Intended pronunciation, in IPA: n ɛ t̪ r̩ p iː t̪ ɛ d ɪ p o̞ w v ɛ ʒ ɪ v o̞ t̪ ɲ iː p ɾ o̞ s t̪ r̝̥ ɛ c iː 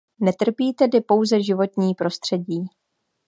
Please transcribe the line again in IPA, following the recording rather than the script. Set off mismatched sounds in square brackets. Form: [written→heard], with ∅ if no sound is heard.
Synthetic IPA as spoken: n ɛ t̪ r̩ p iː t̪ ɛ d ɪ p o̞ w [v→z] ɛ ʒ ɪ v o̞ t̪ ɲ iː p ɾ o̞ s t̪ r̝̥ ɛ [c→ɟ] iː

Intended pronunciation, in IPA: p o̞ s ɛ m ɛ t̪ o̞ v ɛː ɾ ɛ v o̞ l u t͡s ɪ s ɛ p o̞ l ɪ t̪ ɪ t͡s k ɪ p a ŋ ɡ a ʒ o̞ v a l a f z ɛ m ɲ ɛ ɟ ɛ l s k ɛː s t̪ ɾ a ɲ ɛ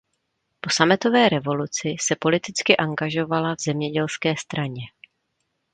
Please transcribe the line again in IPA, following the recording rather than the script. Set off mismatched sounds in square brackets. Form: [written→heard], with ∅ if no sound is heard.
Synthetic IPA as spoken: p o̞ s [ɛ→a] m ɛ t̪ o̞ v ɛː ɾ ɛ v o̞ l u t͡s ɪ s ɛ p o̞ l ɪ t̪ ɪ t͡s k ɪ [p→ʔ] a ŋ ɡ a ʒ o̞ v a l a [f→v] z ɛ m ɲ ɛ ɟ ɛ l s k ɛː s t̪ ɾ a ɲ ɛ

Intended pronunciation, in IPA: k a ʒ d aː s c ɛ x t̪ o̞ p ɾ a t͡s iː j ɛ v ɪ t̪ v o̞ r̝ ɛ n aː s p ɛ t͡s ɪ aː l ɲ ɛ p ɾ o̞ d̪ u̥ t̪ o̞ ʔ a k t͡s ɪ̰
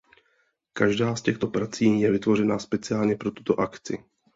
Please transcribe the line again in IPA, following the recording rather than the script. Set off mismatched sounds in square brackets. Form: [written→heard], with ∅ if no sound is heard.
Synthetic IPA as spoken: k a ʒ d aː s c ɛ x t̪ o̞ p ɾ a t͡s iː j ɛ v ɪ t̪ v o̞ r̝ ɛ n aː s p ɛ t͡s ɪ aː l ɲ ɛ p ɾ o̞ [d̪→t̪] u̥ t̪ o̞ ʔ a k t͡s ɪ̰

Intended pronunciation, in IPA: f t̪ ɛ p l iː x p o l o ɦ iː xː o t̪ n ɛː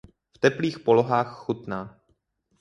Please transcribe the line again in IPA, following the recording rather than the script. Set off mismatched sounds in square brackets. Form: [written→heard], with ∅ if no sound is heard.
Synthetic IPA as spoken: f t̪ ɛ p l iː x p o l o ɦ [iː→aː] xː [o→u] t̪ n [ɛː→aː]

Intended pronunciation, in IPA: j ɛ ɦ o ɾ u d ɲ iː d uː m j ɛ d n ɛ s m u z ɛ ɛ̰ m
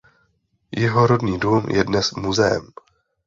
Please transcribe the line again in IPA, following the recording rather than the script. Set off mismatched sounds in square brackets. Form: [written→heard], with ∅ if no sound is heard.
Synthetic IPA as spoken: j ɛ ɦ o ɾ [u→o] d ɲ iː d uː m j ɛ d n ɛ s m u z ɛ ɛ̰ m

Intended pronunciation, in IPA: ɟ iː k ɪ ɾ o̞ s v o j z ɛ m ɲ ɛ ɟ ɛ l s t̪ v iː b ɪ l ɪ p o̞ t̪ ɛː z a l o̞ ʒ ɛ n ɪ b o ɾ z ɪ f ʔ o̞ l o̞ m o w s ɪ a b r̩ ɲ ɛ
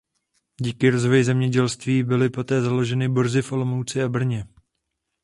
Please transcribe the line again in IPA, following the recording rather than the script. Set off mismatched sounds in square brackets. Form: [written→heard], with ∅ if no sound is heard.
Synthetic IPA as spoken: ɟ iː k ɪ ɾ o̞ [s→z] v o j z ɛ m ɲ ɛ ɟ ɛ l s t̪ v iː b ɪ l ɪ p o̞ t̪ ɛː z a l o̞ ʒ ɛ n ɪ b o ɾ z ɪ f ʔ o̞ l o̞ m o w [s→t͡s] ɪ a b r̩ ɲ ɛ

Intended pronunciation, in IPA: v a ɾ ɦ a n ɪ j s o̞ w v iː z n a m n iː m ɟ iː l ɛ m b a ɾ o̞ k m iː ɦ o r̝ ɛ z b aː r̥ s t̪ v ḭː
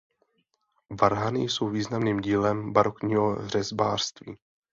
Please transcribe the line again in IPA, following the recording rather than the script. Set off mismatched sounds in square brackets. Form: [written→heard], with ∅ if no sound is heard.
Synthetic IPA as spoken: v a ɾ ɦ a n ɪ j s o̞ w v iː z n a m n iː m ɟ iː l ɛ m b a ɾ o̞ k [m→ɲ] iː ɦ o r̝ ɛ z b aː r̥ s t̪ v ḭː

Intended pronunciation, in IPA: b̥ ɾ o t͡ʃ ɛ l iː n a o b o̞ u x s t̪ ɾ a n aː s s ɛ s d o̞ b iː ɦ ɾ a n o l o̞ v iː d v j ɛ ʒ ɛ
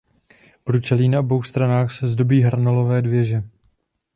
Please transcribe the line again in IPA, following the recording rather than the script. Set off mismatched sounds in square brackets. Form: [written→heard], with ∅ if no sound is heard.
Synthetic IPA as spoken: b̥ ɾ [o→u] t͡ʃ ɛ l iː n a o b o̞ [u→w] x s t̪ ɾ a n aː [s→x] s ɛ [s→z] d o̞ b iː ɦ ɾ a n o l o̞ v [iː→ɛː] d v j ɛ ʒ ɛ

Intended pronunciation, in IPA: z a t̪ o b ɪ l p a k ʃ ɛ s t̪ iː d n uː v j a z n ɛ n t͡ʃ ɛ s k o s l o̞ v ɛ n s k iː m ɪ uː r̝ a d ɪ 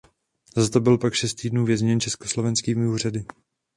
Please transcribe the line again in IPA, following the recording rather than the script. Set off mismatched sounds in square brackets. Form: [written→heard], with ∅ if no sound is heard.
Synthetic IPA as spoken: z a t̪ o b ɪ l p a k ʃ ɛ s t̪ iː d n uː v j [a→ɛ] z [n→ɲ] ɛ n t͡ʃ ɛ s k o s l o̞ v ɛ n s k iː m ɪ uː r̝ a d ɪ

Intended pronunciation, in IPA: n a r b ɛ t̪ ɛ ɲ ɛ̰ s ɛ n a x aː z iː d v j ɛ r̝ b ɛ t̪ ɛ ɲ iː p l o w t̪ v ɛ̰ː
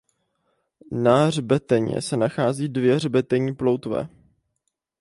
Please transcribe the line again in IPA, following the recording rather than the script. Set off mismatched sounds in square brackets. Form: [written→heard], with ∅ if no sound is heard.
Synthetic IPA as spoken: n a r b ɛ t̪ ɛ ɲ ɛ̰ s ɛ n a x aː z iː d v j ɛ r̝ b ɛ t̪ ɛ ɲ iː p l o w t̪ v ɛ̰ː

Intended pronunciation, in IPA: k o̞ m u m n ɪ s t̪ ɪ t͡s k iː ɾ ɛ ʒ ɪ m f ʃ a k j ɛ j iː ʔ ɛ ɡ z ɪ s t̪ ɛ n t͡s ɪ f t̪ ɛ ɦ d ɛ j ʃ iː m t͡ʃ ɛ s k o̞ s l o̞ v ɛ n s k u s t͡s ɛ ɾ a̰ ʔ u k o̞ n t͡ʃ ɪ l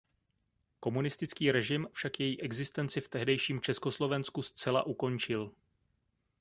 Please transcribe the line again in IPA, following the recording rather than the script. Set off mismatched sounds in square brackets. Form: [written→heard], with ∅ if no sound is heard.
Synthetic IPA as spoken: k o̞ m u [m→∅] n ɪ s t̪ ɪ t͡s k iː ɾ ɛ ʒ ɪ m f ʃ a k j ɛ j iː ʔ ɛ ɡ z ɪ s t̪ ɛ n t͡s ɪ f t̪ ɛ ɦ d ɛ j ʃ iː m t͡ʃ ɛ s k o̞ s l o̞ v ɛ n s k u s t͡s ɛ [ɾ→l] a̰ ʔ u k o̞ n t͡ʃ ɪ l

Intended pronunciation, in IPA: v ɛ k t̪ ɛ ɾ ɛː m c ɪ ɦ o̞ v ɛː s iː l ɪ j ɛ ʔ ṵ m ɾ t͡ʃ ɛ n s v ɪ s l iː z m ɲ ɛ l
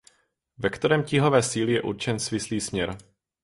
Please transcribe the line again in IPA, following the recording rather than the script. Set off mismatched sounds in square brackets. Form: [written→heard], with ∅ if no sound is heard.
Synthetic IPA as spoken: v ɛ k t̪ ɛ ɾ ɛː m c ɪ ɦ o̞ v ɛː s iː l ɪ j ɛ ʔ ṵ [m→∅] ɾ t͡ʃ ɛ n s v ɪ s l iː [z→s] m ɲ ɛ [l→ɾ]

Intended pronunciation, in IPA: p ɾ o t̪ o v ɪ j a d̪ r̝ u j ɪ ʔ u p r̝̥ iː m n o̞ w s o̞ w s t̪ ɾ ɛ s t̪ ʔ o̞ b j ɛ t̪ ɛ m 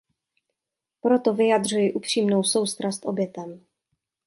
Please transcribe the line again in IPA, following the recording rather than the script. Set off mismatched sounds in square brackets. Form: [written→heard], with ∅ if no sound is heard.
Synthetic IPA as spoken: p ɾ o t̪ o v ɪ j a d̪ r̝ u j ɪ ʔ u p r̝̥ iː m n o̞ w s o̞ w s t̪ ɾ [ɛ→a] s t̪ ʔ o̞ b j ɛ t̪ ɛ m

